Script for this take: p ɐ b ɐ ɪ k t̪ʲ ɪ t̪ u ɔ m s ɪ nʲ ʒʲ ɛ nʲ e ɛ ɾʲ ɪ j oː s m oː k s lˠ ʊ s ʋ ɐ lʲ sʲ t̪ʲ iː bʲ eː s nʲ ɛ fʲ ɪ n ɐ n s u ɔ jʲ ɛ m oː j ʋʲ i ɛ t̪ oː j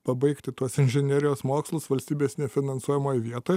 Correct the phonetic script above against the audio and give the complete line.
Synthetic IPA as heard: p ɐ b ɐ ɪ k t̪ʲ ɪ t̪ u ɔ s ɪ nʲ ʒʲ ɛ nʲ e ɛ ɾʲ ɪ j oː s m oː k s lˠ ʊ s ʋ ɐ lʲ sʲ t̪ʲ iː bʲ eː s nʲ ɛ fʲ ɪ n ɐ n s u ɔ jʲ ɛ m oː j ʋʲ i ɛ t̪ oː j